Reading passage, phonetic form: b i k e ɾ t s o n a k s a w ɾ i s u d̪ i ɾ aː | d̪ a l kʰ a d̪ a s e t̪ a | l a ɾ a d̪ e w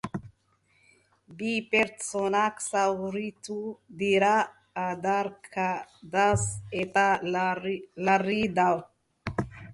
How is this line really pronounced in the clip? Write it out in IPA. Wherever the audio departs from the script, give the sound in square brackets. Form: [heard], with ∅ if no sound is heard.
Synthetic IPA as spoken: b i [p] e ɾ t s o n a k s a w ɾ i [t] u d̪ i ɾ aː | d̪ a [ɾ] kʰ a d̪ a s e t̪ a | l a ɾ [i] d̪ [a] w